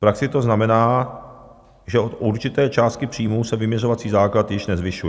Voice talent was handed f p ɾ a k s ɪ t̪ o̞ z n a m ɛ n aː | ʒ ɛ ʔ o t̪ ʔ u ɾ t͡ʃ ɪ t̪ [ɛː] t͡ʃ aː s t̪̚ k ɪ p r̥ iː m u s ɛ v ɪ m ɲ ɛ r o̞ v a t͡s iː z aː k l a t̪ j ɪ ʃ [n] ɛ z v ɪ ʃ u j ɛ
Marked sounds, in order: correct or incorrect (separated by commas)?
correct, correct